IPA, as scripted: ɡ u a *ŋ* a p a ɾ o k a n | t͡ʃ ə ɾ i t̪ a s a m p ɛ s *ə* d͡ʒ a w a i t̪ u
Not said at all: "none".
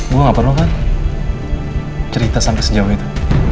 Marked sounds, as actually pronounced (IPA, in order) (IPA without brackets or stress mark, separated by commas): ŋ, ə